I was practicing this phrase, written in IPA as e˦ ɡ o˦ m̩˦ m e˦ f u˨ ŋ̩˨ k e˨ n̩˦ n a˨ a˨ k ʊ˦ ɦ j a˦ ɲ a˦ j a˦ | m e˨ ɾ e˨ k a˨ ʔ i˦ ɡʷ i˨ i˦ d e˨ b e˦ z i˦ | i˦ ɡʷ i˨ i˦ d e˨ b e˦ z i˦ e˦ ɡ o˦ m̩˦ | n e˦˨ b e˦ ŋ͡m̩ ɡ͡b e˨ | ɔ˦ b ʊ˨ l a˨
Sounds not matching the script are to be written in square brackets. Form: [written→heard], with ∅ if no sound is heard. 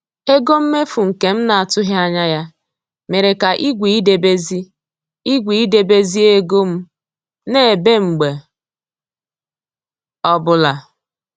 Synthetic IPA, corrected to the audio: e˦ ɡ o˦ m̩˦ m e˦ f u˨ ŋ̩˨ k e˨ [n̩˦→m̩˦] n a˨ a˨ [k→t] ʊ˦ ɦ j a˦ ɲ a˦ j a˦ | m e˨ ɾ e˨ k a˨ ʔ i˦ ɡʷ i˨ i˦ d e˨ b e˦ z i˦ | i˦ ɡʷ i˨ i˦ d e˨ b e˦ z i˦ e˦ ɡ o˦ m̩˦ | n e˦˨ b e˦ ŋ͡m̩ ɡ͡b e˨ | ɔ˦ b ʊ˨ l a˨